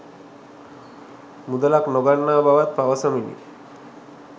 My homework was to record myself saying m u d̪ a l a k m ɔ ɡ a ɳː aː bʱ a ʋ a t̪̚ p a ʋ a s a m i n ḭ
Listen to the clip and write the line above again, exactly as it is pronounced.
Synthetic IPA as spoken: m u d̪ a l a k n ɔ ɡ a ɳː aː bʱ a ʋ a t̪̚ p a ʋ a s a m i n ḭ

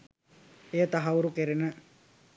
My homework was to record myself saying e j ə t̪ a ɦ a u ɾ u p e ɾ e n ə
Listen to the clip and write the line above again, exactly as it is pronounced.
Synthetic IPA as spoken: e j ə t̪ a ɦ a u ɾ u k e ɾ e n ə

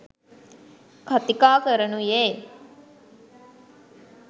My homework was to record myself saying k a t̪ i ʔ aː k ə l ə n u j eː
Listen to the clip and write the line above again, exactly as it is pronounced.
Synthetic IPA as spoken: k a t̪ i k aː k ə ɾ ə n u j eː

